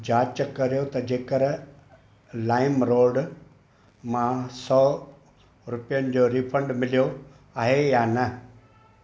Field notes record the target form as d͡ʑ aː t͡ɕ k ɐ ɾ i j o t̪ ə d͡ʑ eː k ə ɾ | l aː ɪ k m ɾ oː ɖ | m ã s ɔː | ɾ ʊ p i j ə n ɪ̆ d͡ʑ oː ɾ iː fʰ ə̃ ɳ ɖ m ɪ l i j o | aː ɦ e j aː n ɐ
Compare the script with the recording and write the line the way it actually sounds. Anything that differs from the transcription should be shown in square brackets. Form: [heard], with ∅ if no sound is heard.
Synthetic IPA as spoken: d͡ʑ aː t͡ɕ k ɐ ɾ i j o t̪ [ɐ] d͡ʑ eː k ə ɾ | l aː ɪ [∅] m ɾ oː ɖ | m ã s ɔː | ɾ ʊ p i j ə n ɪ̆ d͡ʑ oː ɾ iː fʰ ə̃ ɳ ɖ m ɪ l i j o | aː ɦ e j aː n ɐ